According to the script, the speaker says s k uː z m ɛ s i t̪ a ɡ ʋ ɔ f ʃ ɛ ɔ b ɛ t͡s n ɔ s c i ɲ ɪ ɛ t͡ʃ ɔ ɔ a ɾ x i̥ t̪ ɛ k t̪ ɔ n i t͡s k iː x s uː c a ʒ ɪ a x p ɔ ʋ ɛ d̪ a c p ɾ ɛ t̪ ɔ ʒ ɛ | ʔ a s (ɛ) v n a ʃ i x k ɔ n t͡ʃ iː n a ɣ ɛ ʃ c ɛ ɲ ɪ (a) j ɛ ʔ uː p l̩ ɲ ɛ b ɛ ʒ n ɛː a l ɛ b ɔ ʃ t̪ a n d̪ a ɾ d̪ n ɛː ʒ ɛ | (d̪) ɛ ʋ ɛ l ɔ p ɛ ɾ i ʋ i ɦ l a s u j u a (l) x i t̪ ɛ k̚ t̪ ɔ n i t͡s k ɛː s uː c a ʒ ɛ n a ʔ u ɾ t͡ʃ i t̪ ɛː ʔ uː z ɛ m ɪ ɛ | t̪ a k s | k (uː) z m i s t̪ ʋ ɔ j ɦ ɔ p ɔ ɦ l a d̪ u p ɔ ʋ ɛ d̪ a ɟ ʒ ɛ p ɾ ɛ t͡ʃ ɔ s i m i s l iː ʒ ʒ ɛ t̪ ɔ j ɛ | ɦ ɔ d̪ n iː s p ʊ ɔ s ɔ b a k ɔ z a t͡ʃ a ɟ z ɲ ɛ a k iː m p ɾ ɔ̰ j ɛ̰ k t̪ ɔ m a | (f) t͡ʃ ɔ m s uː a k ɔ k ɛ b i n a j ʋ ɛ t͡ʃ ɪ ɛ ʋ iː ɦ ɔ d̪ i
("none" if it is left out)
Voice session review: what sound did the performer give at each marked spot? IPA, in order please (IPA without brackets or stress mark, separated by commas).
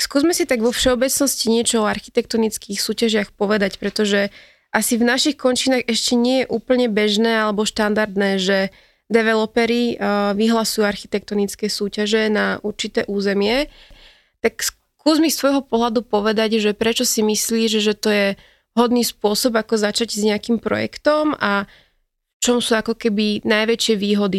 i, ɛ, d̪, ɾ, uː, f